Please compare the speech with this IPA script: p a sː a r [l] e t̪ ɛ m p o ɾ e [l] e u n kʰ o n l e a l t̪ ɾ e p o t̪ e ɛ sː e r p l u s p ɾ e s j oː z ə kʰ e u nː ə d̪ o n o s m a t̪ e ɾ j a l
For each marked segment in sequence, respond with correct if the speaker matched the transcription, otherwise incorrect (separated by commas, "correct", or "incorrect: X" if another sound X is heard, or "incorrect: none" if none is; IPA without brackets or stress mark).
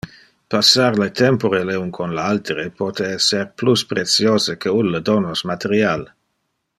correct, correct